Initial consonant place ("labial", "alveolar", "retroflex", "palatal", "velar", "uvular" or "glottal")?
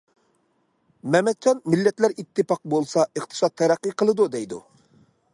labial